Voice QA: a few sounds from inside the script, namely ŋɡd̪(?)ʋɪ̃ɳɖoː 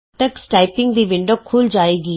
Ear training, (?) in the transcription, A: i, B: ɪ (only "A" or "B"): A